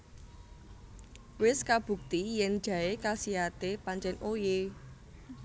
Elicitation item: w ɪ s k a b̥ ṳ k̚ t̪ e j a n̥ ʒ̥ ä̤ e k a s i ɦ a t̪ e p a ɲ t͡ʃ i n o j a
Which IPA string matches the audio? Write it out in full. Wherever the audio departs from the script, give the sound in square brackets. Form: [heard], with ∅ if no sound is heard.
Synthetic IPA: w ɪ s k a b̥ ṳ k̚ t̪ [i] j [ɛ] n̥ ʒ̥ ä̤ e k a s i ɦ a t̪ e p a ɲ t͡ʃ [ɛ] n o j [e]